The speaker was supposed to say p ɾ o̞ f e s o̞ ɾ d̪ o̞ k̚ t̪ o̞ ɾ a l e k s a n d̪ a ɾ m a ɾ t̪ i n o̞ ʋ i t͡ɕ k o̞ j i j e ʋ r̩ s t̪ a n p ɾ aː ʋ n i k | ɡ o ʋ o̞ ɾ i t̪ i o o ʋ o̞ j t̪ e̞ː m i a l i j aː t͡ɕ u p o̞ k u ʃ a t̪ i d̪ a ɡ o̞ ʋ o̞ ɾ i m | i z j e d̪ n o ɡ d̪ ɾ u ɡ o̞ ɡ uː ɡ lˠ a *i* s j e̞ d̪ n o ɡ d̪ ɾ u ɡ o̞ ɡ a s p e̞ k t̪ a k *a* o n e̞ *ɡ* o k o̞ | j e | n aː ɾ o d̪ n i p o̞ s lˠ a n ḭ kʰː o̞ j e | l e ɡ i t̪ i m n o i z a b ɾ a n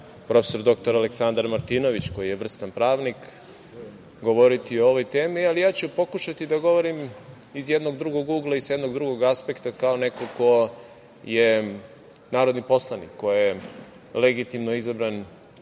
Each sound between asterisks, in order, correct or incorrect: correct, correct, incorrect

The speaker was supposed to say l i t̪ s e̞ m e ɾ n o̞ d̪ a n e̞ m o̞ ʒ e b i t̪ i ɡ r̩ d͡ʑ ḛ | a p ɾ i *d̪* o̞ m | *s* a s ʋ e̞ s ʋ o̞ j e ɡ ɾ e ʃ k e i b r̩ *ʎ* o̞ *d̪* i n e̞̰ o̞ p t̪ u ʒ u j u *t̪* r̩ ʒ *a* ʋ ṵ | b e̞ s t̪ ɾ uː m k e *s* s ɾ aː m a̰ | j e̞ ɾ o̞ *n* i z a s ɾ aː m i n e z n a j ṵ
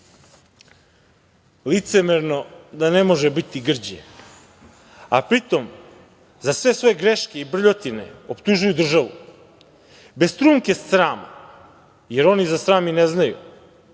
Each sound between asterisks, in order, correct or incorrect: incorrect, incorrect, correct, incorrect, incorrect, correct, correct, correct

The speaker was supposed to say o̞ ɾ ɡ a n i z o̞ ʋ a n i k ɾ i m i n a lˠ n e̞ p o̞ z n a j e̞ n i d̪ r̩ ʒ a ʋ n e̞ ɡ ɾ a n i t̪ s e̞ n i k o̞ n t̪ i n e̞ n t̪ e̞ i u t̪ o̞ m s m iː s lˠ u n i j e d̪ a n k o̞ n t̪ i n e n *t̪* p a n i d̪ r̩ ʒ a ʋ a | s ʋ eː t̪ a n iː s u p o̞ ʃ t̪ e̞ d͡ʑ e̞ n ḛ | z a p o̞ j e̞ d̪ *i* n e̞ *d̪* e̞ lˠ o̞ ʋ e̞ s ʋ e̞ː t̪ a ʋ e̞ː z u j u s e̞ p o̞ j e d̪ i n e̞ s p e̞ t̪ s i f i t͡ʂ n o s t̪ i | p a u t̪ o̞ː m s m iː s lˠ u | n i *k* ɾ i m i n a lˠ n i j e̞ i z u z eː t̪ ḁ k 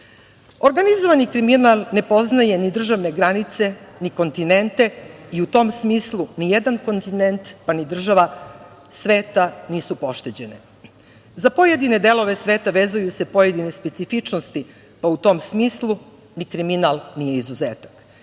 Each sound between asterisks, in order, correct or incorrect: correct, correct, correct, correct

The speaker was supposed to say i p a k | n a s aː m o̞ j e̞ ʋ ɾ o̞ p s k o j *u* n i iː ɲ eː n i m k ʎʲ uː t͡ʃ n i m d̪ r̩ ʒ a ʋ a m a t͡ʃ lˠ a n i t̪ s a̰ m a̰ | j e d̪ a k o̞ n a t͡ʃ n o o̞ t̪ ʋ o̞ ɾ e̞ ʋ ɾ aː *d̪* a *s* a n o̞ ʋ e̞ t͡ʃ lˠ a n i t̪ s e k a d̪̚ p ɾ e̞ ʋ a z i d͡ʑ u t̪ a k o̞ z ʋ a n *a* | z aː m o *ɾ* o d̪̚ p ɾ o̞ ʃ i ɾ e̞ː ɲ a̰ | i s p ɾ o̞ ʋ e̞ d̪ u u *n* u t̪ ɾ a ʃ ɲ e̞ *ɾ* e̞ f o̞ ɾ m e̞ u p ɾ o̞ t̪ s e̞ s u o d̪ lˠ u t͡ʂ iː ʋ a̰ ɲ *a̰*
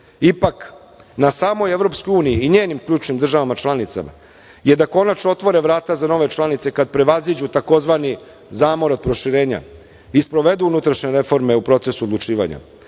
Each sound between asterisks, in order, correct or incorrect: incorrect, incorrect, incorrect, incorrect, correct, correct, correct, correct

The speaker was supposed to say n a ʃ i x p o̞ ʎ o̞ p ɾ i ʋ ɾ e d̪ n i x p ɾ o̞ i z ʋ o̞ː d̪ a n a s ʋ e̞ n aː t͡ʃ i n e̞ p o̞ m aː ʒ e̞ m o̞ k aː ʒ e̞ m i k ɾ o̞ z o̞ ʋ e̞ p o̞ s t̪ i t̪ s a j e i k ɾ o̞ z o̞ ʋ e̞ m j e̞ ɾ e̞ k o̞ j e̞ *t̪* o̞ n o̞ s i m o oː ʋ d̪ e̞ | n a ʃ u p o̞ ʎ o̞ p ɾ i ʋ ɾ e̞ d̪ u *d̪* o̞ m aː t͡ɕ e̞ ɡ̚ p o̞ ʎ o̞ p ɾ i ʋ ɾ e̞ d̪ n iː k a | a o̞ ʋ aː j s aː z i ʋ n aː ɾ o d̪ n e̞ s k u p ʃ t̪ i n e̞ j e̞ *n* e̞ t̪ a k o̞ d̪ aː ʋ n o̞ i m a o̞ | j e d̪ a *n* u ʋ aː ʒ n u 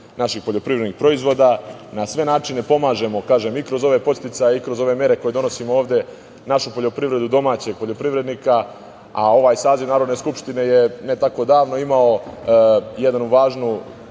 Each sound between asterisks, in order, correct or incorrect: incorrect, correct, correct, correct

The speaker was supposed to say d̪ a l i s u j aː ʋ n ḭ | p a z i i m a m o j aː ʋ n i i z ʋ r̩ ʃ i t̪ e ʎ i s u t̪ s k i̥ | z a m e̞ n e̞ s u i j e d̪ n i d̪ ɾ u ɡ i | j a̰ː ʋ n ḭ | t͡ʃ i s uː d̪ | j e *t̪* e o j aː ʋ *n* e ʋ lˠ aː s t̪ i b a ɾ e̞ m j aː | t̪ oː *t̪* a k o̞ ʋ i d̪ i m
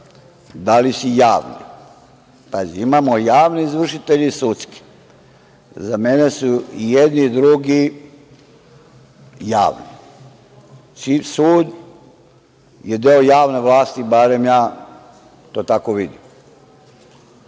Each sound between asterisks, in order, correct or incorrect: incorrect, correct, correct

